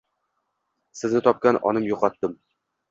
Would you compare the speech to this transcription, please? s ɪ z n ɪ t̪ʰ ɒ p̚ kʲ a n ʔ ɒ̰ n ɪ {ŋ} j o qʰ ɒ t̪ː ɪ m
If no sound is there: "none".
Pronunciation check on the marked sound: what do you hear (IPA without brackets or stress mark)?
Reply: m